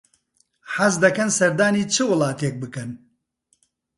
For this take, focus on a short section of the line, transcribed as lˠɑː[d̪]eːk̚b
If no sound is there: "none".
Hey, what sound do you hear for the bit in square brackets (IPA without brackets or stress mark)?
t̪